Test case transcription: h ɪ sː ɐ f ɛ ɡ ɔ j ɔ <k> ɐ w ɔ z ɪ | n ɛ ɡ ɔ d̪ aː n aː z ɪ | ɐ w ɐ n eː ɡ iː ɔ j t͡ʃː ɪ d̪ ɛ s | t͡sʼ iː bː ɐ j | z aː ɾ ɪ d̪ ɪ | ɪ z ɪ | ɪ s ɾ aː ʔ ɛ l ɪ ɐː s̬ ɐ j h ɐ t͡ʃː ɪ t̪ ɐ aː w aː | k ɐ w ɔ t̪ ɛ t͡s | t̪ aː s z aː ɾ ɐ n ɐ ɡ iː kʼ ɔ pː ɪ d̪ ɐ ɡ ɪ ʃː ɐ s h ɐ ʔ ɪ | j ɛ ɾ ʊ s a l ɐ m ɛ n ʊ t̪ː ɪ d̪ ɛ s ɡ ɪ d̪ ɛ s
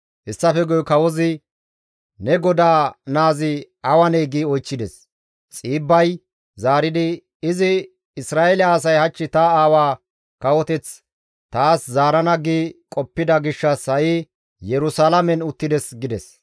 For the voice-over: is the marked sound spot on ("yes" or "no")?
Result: yes